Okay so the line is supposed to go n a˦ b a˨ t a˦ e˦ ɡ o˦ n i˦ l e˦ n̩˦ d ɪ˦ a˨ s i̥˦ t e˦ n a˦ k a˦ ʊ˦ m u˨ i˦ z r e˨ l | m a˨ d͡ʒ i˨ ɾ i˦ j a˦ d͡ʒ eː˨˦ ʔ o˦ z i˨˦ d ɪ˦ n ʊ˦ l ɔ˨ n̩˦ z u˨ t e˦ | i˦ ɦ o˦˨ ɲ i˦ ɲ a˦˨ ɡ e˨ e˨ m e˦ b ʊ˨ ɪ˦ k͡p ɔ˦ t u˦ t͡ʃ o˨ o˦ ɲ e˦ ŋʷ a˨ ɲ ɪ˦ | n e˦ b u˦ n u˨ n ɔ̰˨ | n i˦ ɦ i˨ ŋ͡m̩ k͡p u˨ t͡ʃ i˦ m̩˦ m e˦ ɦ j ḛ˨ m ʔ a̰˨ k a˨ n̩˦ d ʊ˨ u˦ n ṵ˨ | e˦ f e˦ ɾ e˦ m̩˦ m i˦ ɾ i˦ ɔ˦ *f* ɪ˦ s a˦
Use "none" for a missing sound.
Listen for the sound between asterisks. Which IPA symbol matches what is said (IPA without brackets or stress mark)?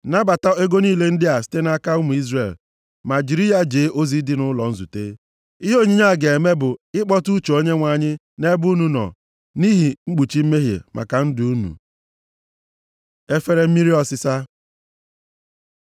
s